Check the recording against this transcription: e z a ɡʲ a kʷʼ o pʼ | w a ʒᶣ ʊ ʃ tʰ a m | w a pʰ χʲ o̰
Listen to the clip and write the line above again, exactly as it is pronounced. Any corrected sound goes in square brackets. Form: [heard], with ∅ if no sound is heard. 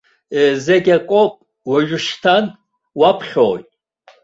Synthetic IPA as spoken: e z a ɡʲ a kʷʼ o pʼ | w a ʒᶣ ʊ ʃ tʰ a [n] | w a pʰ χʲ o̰